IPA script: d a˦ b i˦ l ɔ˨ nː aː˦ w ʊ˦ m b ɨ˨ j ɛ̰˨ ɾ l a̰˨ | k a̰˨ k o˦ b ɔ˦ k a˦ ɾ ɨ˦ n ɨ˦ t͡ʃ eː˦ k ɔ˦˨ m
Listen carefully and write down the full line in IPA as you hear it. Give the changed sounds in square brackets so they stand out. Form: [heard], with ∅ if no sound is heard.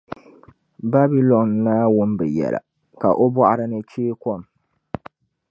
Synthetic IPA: [b] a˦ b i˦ l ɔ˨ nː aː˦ w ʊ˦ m b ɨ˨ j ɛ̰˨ [∅] l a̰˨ | k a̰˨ [ʔ] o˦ b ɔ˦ [ʔ] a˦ ɾ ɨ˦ n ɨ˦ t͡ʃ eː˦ k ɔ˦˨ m